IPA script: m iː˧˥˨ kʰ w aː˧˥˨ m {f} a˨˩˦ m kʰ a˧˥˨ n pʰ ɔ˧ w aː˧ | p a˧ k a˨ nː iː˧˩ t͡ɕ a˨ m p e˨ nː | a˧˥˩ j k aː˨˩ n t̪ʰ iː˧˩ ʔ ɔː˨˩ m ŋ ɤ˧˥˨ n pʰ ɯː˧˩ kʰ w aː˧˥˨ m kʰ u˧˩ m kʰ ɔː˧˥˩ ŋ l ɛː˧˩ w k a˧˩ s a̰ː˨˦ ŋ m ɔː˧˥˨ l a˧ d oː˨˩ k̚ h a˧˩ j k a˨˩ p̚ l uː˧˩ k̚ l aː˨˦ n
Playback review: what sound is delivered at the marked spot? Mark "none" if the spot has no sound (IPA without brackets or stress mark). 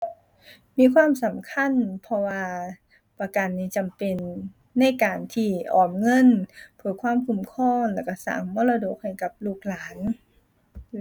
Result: s